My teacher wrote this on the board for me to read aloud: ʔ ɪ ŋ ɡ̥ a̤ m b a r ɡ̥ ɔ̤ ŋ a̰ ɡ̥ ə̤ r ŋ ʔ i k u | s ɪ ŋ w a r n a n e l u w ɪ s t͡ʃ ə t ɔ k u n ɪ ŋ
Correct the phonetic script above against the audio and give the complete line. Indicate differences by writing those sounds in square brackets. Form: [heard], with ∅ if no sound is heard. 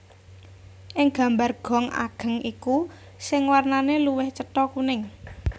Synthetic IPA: ʔ ɪ ŋ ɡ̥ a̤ m b a r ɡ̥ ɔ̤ ŋ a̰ ɡ̥ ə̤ [∅] ŋ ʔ i k u | s ɪ ŋ w a r n a n e l u w ɪ [h] t͡ʃ ə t ɔ k u n ɪ ŋ